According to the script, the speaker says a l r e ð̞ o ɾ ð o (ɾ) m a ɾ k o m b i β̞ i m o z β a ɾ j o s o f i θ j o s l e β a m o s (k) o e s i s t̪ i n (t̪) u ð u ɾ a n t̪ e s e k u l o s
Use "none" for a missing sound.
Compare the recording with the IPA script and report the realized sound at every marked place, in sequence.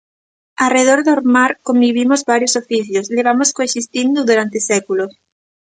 ɾ, k, d̪

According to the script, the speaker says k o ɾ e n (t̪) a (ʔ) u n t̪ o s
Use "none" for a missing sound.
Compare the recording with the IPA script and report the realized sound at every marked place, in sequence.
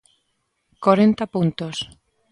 t̪, p

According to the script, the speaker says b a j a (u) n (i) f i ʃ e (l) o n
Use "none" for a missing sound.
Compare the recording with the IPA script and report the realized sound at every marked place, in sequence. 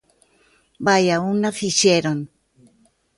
u, a, ɾ

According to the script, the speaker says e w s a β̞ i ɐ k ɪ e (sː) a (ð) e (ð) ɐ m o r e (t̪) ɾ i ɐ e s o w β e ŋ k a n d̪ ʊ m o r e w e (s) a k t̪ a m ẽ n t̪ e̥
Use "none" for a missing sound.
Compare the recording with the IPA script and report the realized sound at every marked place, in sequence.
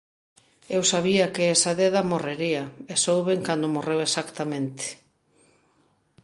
s, ð, ð, none, s

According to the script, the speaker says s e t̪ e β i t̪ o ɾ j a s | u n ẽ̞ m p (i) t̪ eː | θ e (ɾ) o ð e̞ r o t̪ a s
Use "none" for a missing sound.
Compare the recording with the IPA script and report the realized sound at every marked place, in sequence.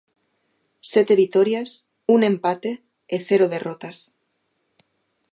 a, ɾ

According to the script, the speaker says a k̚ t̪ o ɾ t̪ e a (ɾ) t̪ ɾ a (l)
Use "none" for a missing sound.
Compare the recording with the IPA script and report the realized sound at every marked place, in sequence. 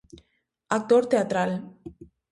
none, l

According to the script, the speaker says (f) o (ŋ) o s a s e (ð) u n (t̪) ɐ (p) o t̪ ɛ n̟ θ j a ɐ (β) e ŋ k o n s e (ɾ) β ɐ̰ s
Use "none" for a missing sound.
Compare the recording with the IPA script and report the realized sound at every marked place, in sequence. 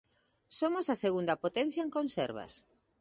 s, m, ɣ, d̪, p, none, ɾ

